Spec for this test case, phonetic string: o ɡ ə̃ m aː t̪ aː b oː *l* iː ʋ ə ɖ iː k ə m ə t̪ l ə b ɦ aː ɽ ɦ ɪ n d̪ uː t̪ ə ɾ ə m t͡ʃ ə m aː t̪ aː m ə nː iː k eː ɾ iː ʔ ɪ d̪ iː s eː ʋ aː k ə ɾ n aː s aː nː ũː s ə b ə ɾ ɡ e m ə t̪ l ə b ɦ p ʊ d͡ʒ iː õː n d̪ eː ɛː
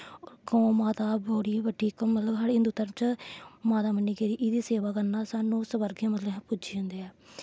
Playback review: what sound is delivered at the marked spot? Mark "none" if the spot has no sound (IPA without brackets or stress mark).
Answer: ɽ